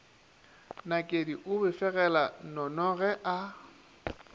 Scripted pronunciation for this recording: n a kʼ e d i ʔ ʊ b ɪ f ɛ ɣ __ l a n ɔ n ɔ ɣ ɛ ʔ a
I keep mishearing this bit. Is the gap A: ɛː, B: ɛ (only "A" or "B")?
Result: B